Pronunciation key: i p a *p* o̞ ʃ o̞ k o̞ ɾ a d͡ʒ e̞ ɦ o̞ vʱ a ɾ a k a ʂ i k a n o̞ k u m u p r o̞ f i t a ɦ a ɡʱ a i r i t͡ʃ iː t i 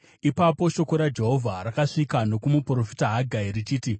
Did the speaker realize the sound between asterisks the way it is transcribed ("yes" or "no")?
yes